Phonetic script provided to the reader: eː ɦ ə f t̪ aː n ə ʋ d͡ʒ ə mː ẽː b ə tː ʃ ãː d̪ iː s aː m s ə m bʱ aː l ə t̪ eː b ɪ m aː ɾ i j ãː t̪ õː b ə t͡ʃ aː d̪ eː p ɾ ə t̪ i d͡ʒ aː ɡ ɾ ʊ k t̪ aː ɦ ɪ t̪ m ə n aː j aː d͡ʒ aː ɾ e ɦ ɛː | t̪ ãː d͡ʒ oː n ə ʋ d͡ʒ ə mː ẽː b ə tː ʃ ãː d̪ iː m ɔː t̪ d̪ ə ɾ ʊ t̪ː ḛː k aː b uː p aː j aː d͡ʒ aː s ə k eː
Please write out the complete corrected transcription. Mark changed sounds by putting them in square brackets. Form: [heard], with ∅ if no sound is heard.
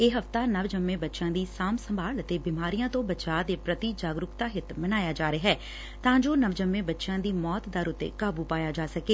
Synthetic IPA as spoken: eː ɦ ə f t̪ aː n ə ʋ d͡ʒ ə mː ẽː b ə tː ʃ ãː d̪ iː s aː m s ə m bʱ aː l ə t̪ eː b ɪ m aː ɾ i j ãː t̪ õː b ə t͡ʃ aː d̪ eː p ɾ ə t̪ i d͡ʒ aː ɡ ɾ ʊ k t̪ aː ɦ ɪ t̪ m ə n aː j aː d͡ʒ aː ɾ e ɦ ɛː | t̪ ãː d͡ʒ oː n ə ʋ d͡ʒ ə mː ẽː b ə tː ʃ ãː d̪ iː m ɔː t̪ d̪ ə ɾ ʊ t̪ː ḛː k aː b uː p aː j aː d͡ʒ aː s ə k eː